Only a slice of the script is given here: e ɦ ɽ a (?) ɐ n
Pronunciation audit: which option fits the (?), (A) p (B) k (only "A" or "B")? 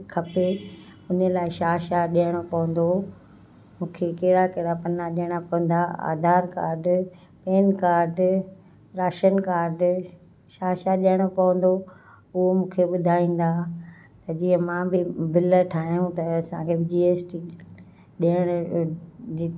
A